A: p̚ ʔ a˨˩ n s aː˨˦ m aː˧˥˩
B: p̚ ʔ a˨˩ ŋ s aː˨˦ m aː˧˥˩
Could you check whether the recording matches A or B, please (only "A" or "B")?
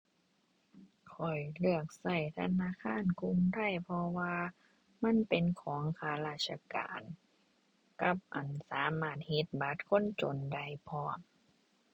A